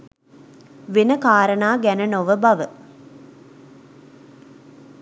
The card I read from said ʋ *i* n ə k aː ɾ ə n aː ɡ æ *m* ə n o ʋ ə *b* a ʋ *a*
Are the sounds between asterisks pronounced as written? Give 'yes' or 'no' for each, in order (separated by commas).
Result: no, no, yes, no